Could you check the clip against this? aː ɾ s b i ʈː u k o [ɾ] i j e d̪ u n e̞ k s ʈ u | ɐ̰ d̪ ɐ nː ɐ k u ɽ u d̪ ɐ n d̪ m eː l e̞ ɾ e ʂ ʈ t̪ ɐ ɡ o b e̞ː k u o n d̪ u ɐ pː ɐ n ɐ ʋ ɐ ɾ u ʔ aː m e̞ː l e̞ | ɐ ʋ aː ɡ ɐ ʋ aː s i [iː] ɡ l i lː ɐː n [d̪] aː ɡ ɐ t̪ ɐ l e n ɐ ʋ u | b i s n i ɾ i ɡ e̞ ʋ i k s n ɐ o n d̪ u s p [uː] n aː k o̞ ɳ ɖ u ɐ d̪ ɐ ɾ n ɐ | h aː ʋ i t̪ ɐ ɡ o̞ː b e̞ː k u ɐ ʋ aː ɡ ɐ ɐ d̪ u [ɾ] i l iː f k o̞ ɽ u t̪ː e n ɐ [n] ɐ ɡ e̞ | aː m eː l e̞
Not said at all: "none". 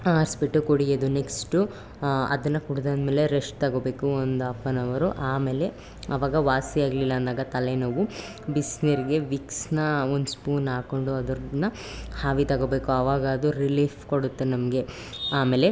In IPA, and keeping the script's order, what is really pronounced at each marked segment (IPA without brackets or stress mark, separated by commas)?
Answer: ɽ, aː, d̪, uː, ɾ, m